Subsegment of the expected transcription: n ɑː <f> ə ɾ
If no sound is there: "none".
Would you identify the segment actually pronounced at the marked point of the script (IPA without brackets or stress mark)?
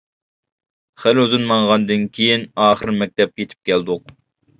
χ